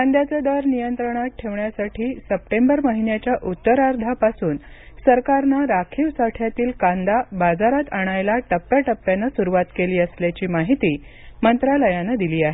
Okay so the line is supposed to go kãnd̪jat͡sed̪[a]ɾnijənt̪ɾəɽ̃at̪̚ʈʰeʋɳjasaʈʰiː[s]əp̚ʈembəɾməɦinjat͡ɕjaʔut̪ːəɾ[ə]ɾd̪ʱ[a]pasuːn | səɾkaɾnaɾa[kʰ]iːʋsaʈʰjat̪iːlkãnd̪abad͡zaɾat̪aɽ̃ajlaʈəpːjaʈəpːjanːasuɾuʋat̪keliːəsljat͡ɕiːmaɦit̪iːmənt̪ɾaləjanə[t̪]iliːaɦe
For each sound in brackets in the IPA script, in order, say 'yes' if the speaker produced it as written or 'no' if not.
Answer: no, yes, no, yes, yes, no

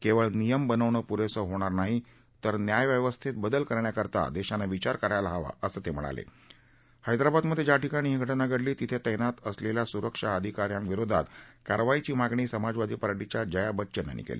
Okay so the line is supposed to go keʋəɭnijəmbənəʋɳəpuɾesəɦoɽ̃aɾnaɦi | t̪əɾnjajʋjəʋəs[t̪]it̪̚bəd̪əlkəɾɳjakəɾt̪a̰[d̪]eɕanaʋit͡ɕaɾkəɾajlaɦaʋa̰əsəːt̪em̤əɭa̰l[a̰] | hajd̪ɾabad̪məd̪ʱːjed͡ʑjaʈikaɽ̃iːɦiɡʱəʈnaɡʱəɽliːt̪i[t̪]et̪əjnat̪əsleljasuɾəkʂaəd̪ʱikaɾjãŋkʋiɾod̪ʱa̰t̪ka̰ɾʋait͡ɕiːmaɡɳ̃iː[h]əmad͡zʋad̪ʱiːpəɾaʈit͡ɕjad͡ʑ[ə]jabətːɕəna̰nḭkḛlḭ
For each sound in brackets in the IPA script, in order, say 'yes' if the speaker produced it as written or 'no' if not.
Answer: no, yes, no, no, no, yes

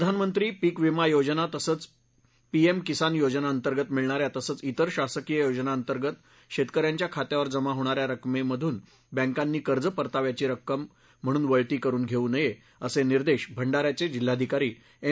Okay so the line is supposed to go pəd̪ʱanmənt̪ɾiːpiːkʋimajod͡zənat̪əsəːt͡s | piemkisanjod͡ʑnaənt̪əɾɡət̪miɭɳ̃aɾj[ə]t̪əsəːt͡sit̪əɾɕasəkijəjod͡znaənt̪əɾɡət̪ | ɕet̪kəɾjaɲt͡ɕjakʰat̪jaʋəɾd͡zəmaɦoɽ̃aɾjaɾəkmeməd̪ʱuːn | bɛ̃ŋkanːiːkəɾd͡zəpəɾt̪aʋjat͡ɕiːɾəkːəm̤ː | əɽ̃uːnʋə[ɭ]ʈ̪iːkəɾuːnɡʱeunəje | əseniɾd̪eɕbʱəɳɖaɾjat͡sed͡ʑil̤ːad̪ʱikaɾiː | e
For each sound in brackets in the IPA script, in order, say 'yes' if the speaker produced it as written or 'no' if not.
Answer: no, yes

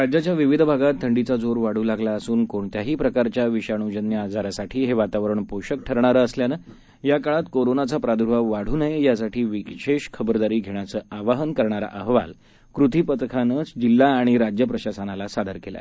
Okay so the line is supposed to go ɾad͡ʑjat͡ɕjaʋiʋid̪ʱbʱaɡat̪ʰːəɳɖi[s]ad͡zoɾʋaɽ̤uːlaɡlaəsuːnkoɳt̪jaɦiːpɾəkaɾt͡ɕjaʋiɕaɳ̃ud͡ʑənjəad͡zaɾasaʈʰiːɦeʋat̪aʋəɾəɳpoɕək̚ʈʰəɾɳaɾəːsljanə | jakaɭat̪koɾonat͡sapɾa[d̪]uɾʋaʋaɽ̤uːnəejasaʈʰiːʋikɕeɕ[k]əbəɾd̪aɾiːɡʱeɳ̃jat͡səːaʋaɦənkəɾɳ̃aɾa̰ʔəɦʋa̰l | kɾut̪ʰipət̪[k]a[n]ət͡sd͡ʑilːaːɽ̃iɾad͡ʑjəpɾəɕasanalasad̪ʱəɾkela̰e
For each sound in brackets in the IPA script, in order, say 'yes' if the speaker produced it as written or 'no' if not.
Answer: no, yes, no, no, yes

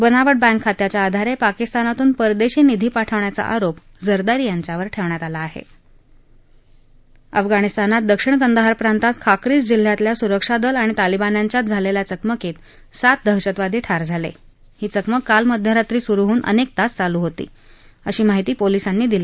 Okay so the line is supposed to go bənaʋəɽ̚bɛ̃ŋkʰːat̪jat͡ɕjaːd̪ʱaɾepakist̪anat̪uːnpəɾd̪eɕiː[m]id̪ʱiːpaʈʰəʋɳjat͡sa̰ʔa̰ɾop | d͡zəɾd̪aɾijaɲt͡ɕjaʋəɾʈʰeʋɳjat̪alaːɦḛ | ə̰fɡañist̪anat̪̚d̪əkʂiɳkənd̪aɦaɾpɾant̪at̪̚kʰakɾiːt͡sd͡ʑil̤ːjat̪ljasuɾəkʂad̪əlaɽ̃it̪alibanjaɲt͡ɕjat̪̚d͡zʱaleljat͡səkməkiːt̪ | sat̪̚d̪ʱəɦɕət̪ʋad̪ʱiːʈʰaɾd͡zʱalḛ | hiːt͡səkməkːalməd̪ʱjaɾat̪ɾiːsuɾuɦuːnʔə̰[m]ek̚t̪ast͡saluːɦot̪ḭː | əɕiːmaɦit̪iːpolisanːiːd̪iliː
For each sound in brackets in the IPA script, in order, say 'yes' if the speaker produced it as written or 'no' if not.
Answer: no, no

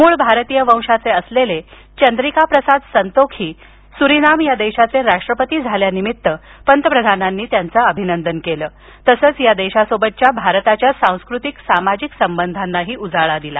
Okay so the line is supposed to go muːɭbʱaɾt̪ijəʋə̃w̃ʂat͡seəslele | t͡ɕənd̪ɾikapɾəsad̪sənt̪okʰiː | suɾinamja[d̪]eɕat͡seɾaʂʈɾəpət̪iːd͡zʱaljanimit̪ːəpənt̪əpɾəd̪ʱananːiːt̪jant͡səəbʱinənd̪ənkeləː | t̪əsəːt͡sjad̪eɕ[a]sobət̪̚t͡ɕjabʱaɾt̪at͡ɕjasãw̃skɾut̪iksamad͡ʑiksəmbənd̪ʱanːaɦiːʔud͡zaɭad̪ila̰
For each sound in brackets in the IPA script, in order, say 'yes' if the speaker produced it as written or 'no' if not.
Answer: yes, yes

